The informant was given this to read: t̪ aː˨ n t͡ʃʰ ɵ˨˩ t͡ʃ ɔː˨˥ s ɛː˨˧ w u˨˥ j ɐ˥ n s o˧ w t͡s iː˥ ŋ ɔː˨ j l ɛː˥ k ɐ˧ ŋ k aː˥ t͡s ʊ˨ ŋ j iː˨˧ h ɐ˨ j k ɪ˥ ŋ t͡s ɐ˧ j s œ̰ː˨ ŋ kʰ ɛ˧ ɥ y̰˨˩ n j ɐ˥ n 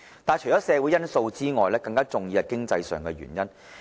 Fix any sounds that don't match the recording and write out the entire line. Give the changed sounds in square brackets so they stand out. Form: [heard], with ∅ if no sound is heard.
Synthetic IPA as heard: t̪ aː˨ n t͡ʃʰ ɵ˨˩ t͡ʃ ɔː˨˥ s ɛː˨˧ w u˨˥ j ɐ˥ n s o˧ w t͡s iː˥ ŋ ɔː˨ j l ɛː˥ k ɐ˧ ŋ k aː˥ t͡s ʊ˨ ŋ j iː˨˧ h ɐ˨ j k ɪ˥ ŋ t͡s ɐ˧ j s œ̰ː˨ ŋ [k] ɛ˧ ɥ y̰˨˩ n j ɐ˥ n

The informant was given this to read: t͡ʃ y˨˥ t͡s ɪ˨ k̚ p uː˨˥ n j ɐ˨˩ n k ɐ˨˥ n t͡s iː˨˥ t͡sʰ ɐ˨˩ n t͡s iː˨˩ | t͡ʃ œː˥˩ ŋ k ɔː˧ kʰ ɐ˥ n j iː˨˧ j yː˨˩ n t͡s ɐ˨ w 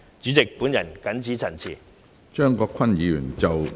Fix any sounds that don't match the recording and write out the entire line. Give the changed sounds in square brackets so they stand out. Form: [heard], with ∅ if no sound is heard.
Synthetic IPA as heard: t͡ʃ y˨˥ t͡s ɪ˨ k̚ p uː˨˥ n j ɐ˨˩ n k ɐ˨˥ n t͡s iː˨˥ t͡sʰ ɐ˨˩ n [t͡sʰ] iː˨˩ | t͡ʃ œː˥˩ ŋ k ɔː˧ kʰ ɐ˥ n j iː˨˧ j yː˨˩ n t͡s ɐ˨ w

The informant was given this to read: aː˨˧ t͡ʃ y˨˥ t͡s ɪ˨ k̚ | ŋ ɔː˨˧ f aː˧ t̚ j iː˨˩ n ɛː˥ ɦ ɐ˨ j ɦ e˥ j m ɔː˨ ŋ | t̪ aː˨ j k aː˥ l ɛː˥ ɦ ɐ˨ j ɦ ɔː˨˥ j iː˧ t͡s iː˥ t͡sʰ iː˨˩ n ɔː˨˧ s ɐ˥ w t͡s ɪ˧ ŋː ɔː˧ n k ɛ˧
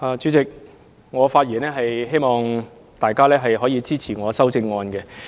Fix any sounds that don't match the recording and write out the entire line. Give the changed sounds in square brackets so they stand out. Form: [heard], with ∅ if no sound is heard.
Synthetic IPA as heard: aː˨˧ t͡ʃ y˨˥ t͡s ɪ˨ k̚ | ŋ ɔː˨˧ f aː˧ t̚ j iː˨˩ n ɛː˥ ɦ ɐ˨ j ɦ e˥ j m ɔː˨ ŋ | t̪ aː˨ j k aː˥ l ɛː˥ ɦ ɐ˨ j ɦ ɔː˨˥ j iː˧ t͡s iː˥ t͡sʰ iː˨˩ [ŋ] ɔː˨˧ s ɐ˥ w t͡s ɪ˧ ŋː ɔː˧ n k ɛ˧

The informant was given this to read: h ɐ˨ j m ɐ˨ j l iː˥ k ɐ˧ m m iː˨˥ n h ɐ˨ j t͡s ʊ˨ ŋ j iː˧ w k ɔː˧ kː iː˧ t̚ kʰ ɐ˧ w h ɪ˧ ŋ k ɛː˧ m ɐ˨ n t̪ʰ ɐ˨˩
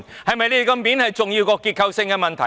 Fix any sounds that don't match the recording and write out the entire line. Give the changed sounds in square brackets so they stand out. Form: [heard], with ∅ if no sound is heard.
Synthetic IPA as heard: h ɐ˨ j m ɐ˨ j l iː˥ k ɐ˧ m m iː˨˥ n h ɐ˨ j t͡s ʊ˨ ŋ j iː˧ w k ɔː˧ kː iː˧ t̚ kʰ ɐ˧ w [s] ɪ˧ ŋ k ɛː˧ m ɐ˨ n t̪ʰ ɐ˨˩

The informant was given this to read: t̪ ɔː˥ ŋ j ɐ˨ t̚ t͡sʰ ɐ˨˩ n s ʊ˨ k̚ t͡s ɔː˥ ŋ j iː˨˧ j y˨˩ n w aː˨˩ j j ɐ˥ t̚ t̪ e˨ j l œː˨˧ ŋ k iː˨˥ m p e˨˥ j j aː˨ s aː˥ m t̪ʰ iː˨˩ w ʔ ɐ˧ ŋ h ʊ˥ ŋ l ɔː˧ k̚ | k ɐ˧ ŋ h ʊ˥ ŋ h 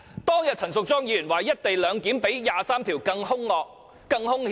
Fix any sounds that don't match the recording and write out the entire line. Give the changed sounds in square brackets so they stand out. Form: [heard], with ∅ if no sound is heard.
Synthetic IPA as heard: t̪ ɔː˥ ŋ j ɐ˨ t̚ t͡sʰ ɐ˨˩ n s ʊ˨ k̚ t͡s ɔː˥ ŋ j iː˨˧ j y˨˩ n w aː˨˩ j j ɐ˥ t̚ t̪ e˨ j l œː˨˧ ŋ k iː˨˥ m p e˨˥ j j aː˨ s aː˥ m t̪ʰ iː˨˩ w [k] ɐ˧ ŋ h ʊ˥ ŋ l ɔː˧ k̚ | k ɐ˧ ŋ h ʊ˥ ŋ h

